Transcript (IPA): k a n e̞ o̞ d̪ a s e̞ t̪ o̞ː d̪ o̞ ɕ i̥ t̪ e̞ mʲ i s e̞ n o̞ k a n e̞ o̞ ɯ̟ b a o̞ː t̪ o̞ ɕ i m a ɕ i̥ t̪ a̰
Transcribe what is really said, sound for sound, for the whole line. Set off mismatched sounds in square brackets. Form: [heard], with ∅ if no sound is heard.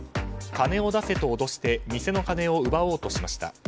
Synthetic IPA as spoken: k a n e̞ o̞ d̪ a s e̞ t̪ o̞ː d̪ o̞ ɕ i̥ t̪ e̞ mʲ i s e̞ n o̞ k a n e̞ o̞ ɯ̟ b a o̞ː t̪ o̞ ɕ i m a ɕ i̥ t̪ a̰